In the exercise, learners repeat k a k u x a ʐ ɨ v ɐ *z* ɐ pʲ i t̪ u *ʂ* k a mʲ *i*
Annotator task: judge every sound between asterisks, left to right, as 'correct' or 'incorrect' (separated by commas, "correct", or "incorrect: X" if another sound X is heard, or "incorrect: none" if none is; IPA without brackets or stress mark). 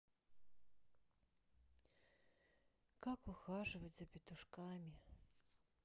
correct, correct, correct